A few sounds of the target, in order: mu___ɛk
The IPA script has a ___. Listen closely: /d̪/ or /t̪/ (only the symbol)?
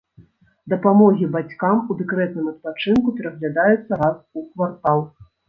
d̪